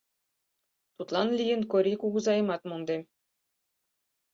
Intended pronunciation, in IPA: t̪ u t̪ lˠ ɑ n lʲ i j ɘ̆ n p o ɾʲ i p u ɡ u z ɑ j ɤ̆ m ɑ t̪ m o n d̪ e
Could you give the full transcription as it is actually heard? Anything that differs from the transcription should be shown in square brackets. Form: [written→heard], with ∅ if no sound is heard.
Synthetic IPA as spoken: t̪ u t̪ lˠ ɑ n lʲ i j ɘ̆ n [p→k] o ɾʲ i [p→k] u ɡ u z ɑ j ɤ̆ m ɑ t̪ m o n d̪ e